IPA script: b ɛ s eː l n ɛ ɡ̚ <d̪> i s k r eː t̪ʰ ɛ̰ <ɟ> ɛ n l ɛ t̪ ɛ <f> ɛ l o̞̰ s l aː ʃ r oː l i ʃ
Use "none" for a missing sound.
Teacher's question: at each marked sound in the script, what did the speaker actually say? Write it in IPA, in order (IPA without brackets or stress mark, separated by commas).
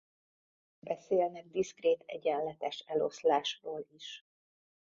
d̪, ɟ, ʃ